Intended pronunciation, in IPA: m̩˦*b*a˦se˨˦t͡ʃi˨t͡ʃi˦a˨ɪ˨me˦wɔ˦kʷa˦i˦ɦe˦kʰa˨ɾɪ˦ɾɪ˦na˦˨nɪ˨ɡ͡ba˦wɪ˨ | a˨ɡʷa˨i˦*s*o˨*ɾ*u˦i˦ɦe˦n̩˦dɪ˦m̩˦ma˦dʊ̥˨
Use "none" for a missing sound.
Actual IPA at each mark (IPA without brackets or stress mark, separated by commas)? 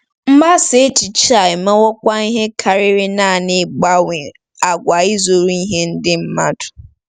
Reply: m, z, ɾ